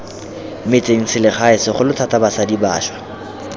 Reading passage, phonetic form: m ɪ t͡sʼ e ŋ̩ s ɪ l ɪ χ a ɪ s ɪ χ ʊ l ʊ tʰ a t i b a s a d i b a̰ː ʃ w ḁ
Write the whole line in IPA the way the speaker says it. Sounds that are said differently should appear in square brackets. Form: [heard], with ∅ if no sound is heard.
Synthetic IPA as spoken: m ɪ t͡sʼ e ŋ̩ s ɪ l ɪ χ a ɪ s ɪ χ ʊ l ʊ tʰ a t [a] b a s a d i b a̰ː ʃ w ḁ